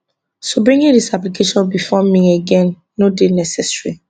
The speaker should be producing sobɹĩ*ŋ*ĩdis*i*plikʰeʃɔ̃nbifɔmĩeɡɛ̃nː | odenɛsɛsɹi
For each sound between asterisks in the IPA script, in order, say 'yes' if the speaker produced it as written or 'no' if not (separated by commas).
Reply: yes, no